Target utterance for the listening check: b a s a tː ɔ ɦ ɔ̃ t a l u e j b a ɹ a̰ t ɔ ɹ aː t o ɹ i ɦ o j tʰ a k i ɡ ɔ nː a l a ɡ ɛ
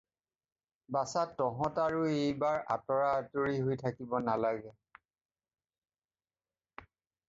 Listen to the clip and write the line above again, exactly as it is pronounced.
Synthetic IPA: b a s a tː ɔ ɦ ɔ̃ t a ɹ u e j b a ɹ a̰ t ɔ ɹ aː t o ɹ i ɦ o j tʰ a k i b ɔ n a l a ɡ ɛ